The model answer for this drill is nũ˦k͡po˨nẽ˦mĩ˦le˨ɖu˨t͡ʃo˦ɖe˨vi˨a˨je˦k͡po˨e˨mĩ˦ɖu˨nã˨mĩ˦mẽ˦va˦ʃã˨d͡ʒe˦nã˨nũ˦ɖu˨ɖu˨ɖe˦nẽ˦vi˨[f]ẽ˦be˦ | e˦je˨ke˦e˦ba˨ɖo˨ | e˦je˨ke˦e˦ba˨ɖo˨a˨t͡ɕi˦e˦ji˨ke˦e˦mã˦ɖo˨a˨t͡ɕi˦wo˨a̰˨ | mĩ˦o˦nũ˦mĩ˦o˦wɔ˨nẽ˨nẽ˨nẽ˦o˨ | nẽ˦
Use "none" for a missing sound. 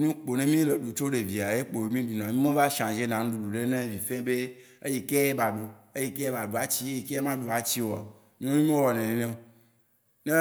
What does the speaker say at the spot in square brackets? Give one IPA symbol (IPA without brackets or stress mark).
f